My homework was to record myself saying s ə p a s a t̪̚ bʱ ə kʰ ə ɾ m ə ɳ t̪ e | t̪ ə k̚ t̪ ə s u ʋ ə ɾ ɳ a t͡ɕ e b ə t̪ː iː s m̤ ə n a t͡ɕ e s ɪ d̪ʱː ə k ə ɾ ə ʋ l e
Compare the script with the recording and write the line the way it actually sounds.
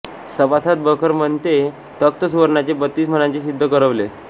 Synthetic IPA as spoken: s ə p a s a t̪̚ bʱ ə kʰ ə ɾ m ə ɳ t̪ e | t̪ ə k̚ t̪ ə s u ʋ ə ɾ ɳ a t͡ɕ e b ə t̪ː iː s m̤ ə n a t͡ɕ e s i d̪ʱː ə k ə ɾ ə ʋ l e